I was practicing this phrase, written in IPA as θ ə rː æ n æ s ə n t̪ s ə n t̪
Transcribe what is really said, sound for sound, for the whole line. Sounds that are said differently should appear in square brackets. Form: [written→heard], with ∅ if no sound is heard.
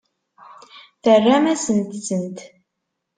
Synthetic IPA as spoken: θ ə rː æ [n→m] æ s ə n t̪ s ə n t̪